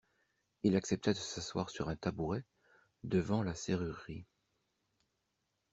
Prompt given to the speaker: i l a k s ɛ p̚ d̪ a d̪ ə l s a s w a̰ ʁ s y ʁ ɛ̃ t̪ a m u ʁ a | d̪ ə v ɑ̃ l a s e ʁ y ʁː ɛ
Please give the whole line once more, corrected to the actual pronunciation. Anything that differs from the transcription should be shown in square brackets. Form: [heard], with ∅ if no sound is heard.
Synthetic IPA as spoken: i l a k s ɛ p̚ [t̪] a d̪ ə [∅] s a s w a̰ ʁ s y ʁ ɛ̃ t̪ a [b] u ʁ [ɛ] | d̪ ə v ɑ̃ l a s e ʁ y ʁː [i]